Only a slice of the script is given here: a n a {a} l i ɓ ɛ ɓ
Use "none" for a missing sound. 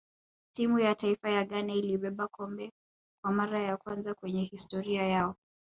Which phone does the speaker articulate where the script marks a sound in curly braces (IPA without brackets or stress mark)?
i